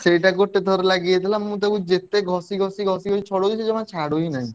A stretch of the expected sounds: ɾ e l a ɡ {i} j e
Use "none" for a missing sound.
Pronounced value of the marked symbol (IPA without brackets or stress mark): i